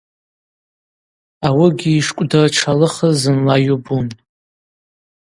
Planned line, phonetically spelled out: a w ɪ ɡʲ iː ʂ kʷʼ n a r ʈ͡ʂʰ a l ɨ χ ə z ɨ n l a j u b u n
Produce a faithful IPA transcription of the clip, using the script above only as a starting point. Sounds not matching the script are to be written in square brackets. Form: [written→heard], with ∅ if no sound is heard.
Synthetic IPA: a w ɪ ɡʲ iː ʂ kʷʼ [n→d] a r ʈ͡ʂʰ a l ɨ χ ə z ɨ n l a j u b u n